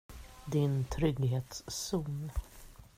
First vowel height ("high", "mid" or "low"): high